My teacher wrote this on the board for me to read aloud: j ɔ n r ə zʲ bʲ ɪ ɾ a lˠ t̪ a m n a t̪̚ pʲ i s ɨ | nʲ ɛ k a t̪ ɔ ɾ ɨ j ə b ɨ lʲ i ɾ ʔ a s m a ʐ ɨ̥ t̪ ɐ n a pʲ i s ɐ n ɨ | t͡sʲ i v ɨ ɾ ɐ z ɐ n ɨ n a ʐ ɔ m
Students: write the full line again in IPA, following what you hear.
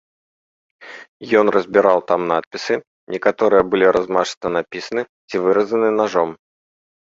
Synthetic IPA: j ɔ n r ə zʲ bʲ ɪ ɾ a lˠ t̪ a m n a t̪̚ pʲ i s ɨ | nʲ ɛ k a t̪ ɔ ɾ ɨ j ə b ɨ lʲ i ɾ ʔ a z m a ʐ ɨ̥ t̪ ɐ n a pʲ i s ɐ n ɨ | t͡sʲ i v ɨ ɾ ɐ z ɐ n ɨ n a ʐ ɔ m